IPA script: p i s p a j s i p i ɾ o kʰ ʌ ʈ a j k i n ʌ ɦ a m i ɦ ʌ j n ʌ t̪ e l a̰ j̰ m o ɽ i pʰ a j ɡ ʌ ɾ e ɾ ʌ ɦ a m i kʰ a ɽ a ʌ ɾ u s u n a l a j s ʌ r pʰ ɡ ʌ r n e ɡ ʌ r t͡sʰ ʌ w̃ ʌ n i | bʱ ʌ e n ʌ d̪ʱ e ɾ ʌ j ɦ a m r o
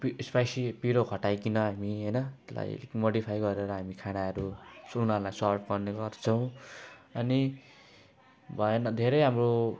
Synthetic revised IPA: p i s p a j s i p i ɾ o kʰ ʌ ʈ a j k i n ʌ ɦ a m i ɦ ʌ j n ʌ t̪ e l a̰ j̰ m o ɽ i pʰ a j ɡ ʌ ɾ e ɾ ʌ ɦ a m i kʰ a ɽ a ʌ ɾ u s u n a l a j s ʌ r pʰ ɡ ʌ r n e ɡ ʌ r t͡sʰ ʌ w̃ ʌ n i | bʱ ʌ e n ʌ d̪ʱ e ɾ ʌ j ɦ a m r o